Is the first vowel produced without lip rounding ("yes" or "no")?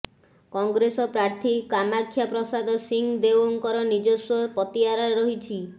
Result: no